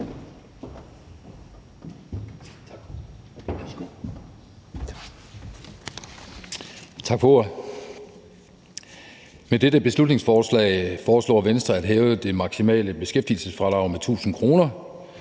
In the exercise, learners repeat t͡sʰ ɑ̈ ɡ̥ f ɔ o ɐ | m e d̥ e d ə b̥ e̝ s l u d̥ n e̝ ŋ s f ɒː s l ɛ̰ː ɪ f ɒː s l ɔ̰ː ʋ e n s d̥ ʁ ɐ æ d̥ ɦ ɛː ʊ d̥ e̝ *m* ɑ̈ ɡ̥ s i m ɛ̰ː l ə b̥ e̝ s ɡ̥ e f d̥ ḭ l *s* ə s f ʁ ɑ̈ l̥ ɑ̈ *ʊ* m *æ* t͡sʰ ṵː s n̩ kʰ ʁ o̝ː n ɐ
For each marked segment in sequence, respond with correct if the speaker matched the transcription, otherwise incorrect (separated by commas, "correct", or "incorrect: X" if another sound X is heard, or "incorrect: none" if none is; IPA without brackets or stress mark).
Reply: correct, correct, correct, incorrect: e